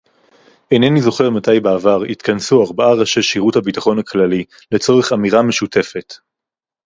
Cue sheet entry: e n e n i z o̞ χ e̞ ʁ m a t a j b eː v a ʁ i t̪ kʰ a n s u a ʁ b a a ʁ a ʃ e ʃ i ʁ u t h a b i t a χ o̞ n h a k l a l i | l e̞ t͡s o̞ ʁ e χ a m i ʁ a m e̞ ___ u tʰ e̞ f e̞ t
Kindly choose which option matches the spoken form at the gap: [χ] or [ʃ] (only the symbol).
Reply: ʃ